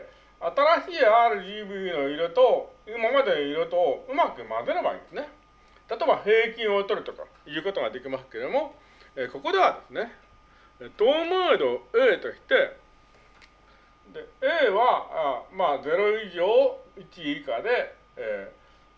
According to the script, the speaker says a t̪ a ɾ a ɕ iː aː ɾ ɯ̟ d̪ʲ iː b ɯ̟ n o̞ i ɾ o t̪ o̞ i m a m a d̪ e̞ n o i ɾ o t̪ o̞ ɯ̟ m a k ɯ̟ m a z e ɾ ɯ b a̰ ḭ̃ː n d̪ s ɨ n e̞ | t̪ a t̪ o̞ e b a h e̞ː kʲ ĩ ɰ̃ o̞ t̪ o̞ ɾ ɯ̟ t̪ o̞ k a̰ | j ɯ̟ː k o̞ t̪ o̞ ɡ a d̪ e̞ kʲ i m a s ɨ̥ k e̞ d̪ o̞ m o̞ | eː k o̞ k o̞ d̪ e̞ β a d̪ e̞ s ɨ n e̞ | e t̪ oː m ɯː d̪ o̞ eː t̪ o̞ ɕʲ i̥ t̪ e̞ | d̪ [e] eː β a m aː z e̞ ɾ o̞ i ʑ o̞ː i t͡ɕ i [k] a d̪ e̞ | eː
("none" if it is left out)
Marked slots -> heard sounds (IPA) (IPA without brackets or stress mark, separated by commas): e, k